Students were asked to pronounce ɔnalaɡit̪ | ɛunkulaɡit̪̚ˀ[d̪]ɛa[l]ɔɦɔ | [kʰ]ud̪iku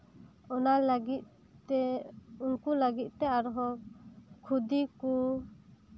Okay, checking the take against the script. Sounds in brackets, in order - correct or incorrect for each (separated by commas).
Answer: incorrect, incorrect, correct